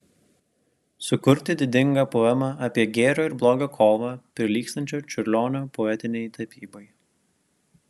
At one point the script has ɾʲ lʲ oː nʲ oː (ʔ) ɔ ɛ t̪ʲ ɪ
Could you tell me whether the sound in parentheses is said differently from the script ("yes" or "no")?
yes